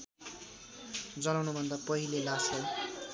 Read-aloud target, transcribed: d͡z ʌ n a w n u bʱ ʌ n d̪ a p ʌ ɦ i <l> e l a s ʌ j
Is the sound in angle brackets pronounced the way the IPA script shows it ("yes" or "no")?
yes